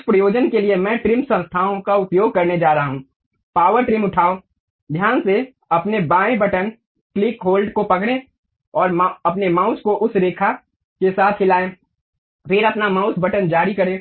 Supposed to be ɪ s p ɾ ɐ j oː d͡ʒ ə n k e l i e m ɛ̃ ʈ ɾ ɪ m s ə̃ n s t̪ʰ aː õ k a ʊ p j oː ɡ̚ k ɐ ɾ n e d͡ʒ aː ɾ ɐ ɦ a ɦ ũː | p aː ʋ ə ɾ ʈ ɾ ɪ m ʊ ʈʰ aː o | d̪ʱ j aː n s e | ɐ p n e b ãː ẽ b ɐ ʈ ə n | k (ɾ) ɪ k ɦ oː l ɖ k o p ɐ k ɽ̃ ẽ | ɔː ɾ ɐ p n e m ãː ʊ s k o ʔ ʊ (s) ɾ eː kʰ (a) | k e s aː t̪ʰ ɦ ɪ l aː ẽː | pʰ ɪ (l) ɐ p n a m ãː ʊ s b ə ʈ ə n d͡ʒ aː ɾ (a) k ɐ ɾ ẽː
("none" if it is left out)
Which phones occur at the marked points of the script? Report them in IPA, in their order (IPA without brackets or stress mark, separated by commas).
l, s, a, ɾ, i